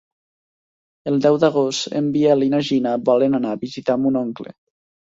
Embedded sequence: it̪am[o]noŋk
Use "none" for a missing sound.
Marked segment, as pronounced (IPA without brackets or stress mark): u